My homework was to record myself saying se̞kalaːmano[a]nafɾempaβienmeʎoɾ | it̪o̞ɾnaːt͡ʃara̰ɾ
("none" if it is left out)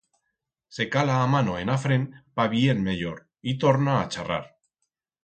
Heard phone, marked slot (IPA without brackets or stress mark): e